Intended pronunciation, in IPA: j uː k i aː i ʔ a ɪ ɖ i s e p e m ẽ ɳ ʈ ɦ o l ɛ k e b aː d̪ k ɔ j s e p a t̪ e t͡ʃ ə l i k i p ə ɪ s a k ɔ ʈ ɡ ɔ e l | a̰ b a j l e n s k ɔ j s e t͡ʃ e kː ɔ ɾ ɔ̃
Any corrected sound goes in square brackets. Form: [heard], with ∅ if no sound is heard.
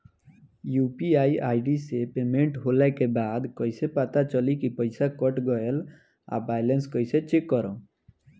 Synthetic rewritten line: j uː [p] i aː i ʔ a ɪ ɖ i s e p e m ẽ ɳ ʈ ɦ o l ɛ k e b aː d̪ k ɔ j s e p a t̪ [a] t͡ʃ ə l i k i p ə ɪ s a k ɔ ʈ ɡ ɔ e l | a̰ b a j l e n s k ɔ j s e t͡ʃ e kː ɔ ɾ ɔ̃